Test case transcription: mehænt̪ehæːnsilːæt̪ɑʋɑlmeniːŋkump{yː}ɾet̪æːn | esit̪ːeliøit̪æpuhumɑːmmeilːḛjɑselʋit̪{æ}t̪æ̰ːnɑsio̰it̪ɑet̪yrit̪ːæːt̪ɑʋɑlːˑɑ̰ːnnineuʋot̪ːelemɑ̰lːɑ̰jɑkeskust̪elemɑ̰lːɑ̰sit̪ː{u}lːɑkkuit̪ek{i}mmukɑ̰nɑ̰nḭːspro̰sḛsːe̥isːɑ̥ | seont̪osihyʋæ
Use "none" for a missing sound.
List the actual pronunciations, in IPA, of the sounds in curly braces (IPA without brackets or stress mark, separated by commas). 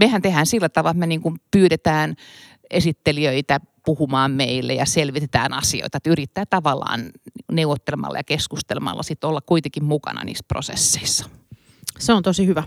yː, e, o, i